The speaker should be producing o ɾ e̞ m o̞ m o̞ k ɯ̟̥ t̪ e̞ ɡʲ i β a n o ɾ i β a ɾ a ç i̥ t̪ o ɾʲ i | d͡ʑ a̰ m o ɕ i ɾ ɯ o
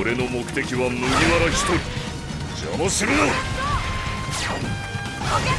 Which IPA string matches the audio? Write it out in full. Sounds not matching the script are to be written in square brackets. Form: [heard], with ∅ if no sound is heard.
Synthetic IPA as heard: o ɾ e̞ [n] o̞ m o̞ k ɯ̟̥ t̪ e̞ [kʲ] i β a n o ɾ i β a ɾ a ç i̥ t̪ o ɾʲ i | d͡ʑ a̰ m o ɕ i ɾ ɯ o